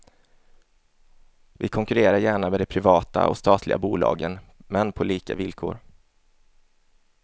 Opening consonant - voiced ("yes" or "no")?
yes